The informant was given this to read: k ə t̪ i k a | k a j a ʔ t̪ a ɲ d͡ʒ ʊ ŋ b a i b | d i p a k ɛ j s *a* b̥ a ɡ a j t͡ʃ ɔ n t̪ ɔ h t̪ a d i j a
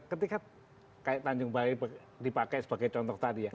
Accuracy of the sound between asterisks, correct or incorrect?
incorrect